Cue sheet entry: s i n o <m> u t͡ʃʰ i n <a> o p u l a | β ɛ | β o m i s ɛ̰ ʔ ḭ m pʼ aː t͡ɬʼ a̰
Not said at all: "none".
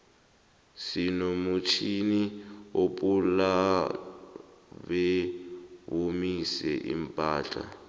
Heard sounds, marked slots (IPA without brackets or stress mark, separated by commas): m, i